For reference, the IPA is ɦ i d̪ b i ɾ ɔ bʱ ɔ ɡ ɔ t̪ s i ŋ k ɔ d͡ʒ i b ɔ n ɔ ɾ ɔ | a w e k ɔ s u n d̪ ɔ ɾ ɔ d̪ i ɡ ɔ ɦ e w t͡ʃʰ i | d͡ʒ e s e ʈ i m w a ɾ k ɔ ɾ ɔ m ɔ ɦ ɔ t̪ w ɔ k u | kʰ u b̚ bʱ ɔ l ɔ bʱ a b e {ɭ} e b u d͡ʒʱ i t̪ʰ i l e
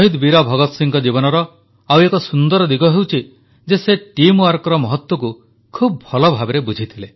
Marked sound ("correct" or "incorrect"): incorrect